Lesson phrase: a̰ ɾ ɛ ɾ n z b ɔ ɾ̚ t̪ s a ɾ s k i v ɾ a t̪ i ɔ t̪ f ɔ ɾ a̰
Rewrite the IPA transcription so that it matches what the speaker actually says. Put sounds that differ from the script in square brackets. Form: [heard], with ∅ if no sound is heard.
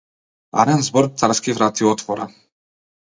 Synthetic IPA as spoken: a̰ ɾ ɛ [∅] n z b ɔ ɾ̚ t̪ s a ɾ s k i v ɾ a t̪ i ɔ t̪ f ɔ ɾ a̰